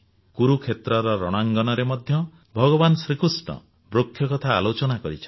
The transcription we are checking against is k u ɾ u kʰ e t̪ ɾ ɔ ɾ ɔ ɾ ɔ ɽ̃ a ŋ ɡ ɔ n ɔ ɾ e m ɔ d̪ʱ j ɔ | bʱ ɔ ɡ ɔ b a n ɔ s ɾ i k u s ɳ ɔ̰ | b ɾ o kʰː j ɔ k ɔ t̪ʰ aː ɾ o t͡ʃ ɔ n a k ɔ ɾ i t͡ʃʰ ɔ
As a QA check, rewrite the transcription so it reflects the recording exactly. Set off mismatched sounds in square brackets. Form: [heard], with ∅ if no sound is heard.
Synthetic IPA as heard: k u ɾ u kʰ e t̪ ɾ ɔ ɾ ɔ ɾ ɔ ɽ̃ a ŋ ɡ ɔ n ɔ ɾ e m ɔ d̪ʱ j ɔ | bʱ ɔ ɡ ɔ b a n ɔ s ɾ i k u s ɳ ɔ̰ | b ɾ o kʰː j ɔ k ɔ t̪ʰ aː [l] o t͡ʃ ɔ n a k ɔ ɾ i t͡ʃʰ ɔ